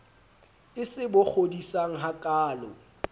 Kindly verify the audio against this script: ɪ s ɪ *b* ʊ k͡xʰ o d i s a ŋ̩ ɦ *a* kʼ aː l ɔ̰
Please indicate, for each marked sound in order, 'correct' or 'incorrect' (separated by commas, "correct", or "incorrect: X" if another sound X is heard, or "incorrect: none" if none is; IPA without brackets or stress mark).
correct, correct